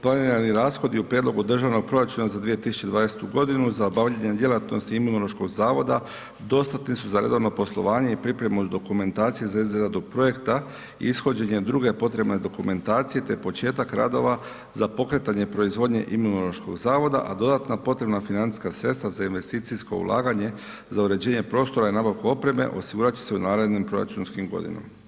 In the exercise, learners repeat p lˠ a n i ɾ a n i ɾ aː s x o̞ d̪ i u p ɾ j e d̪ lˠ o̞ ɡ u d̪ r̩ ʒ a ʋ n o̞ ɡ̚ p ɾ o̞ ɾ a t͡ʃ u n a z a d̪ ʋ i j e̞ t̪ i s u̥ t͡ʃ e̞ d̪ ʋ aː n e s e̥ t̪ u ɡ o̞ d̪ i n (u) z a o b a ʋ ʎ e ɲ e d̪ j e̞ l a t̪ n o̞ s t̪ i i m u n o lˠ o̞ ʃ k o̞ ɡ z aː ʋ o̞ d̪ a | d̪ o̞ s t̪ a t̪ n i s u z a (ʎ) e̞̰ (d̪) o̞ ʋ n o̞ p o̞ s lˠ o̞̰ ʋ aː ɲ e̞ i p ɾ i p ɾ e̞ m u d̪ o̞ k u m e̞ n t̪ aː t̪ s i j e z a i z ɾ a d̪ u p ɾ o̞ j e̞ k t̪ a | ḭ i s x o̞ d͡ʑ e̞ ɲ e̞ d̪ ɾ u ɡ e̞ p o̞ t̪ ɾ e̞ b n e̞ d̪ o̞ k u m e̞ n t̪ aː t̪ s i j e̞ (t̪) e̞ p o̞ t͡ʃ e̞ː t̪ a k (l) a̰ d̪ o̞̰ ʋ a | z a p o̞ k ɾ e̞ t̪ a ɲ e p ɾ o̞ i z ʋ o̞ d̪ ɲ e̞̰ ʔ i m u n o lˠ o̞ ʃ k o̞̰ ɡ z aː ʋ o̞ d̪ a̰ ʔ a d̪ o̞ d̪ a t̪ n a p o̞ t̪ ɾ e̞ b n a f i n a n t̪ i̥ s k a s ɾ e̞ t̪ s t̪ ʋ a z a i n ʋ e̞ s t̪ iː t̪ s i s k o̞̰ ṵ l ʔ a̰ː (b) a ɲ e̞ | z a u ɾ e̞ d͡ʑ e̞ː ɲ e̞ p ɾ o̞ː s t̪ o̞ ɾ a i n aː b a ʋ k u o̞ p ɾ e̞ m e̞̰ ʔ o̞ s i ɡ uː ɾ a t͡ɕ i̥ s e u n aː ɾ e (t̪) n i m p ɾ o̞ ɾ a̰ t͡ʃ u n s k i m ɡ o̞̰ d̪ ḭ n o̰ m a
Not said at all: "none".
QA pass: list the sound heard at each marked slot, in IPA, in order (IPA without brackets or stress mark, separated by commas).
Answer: u, ɾ, d̪, t̪, ɾ, ɡ, d̪